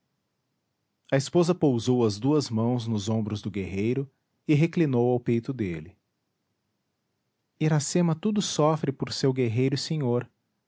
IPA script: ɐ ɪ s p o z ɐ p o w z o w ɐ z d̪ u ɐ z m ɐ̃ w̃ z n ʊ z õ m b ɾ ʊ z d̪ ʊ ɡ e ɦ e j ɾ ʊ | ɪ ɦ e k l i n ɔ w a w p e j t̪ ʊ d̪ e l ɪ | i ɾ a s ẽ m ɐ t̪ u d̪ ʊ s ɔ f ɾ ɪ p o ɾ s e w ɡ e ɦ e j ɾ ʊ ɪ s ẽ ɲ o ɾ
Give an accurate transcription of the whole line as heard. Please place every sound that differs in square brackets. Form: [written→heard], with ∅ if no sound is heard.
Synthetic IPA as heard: ɐ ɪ s p o z ɐ p o w z o w ɐ z d̪ u ɐ z m ɐ̃ w̃ z n ʊ z õ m b ɾ ʊ z d̪ ʊ ɡ e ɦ e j ɾ ʊ | ɪ ɦ e k l i n [ɔ→o] w a w p e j t̪ ʊ d̪ e l ɪ | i ɾ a s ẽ m ɐ t̪ u d̪ ʊ s ɔ f ɾ ɪ p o ɾ s e w ɡ e ɦ e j ɾ ʊ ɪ s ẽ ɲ o ɾ